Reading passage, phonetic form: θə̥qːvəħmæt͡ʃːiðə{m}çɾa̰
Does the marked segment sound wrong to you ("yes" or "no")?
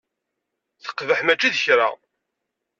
yes